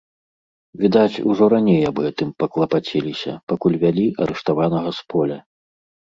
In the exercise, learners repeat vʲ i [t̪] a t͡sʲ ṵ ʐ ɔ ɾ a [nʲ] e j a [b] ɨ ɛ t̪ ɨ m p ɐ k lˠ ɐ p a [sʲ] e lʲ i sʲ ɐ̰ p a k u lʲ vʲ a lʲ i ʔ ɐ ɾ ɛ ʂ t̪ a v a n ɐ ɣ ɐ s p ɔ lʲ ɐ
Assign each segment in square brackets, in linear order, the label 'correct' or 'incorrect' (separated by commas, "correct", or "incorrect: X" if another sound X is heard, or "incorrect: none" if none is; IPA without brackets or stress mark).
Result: incorrect: d̪, correct, correct, incorrect: t͡sʲ